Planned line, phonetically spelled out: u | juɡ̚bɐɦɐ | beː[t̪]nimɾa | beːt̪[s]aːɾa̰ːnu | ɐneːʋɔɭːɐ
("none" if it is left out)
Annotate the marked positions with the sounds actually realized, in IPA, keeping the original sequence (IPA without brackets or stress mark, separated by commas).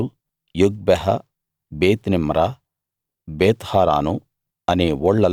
t̪, h